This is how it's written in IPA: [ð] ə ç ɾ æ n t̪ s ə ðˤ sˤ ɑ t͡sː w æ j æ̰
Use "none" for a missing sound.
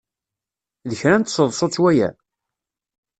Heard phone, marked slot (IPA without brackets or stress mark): ð